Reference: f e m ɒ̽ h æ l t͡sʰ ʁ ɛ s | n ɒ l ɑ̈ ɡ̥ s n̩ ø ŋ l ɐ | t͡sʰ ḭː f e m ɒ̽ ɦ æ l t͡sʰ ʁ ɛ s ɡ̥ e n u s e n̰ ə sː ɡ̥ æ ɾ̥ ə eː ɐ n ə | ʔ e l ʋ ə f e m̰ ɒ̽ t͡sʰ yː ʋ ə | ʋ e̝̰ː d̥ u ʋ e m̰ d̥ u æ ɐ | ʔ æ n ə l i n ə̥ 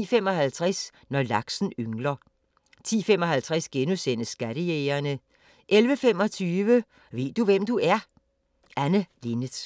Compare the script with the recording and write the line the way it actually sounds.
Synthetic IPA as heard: f e m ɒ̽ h æ l t͡sʰ ʁ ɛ s | n ɒ l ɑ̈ ɡ̥ s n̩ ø ŋ l ɐ | t͡sʰ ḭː f e m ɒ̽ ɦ æ l t͡sʰ ʁ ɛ s ɡ̥ e n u s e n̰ ə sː ɡ̥ æ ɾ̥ ə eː ɐ n ə | ʔ e l ʋ ə f e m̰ ɒ̽ t͡sʰ yː ʋ ə | ʋ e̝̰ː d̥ u ʋ e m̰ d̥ u æ ɐ | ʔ æ n ə l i n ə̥